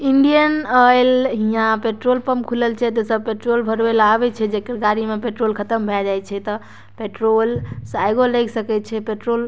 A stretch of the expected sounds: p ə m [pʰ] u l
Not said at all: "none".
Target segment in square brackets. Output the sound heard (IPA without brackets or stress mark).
kʰ